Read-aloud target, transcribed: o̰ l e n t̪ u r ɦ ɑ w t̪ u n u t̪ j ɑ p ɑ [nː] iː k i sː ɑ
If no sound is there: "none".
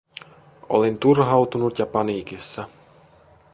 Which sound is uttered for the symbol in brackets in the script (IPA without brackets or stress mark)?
n